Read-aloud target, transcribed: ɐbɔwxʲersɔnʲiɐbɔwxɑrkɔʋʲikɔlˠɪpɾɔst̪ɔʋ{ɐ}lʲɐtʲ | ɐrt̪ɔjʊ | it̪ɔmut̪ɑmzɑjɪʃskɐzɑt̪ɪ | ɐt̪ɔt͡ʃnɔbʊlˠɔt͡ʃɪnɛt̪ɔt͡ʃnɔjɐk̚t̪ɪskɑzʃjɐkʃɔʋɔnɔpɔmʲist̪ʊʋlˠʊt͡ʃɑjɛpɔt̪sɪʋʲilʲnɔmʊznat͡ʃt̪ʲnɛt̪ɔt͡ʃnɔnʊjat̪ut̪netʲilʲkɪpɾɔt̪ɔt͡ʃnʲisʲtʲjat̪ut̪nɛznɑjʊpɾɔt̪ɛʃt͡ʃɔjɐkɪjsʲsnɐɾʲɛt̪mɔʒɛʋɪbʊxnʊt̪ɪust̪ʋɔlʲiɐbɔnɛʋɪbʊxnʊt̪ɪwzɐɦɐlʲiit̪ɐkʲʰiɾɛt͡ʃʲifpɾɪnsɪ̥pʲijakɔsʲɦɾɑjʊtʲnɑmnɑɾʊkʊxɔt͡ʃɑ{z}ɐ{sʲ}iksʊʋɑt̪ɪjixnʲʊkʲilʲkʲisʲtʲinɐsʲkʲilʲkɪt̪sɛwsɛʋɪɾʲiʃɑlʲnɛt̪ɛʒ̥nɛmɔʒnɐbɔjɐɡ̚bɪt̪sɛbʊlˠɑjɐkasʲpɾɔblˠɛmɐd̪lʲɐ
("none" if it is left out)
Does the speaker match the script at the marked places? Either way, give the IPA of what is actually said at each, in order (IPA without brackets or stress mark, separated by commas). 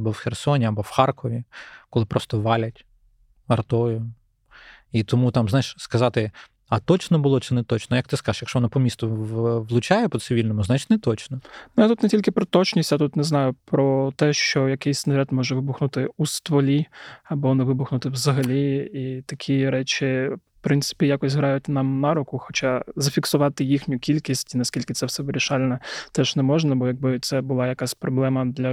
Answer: ɑ, z, fʲ